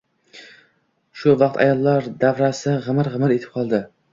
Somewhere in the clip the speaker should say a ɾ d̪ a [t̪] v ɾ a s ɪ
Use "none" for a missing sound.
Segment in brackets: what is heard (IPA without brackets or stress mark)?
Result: none